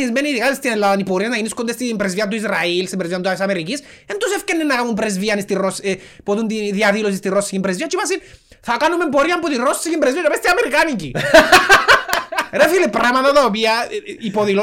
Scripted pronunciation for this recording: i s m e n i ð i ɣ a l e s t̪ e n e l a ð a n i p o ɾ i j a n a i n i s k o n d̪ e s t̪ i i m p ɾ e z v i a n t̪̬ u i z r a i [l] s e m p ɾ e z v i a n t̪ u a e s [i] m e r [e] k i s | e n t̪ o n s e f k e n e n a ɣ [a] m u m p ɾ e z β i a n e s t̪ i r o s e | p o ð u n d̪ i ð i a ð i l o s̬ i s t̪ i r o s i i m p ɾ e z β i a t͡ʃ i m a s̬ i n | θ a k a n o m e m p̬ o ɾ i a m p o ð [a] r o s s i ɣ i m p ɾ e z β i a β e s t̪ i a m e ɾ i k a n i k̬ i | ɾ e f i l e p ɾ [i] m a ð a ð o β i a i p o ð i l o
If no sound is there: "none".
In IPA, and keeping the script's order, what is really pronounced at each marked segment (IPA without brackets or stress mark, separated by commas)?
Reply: l, a, i, a, i, a